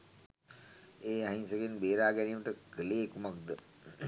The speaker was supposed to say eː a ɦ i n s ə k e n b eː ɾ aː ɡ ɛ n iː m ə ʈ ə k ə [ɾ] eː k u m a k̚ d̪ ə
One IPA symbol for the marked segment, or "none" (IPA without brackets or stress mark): l